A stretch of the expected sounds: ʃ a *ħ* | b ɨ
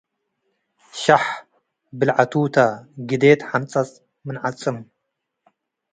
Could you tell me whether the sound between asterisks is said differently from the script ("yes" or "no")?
no